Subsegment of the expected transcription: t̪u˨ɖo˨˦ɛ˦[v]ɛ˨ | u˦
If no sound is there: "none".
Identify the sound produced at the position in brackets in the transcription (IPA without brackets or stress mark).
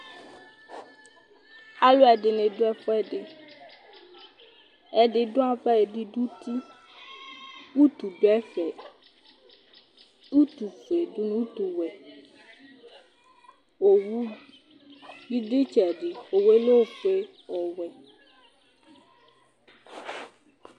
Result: f